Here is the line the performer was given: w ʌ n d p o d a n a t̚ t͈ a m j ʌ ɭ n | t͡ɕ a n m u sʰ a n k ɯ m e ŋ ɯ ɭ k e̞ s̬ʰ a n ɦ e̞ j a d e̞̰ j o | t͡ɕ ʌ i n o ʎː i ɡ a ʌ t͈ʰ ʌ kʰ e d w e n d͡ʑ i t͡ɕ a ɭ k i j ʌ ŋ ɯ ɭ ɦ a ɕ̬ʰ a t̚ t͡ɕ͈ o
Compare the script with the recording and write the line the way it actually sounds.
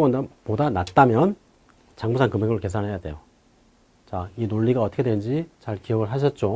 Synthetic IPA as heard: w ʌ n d p o d a n a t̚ t͈ a m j ʌ n | t͡ɕ a ŋ m u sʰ a n k ɯ m e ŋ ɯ ɭ k e̞ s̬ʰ a n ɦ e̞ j a d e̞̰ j o | t͡ɕ a i n o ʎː i ɡ a ʌ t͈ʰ ʌ kʰ e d w e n d͡ʑ i t͡ɕ a ɭ k i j ʌ ɡ ɯ ɭ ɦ a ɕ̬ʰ ʌ t̚ t͡ɕ͈ o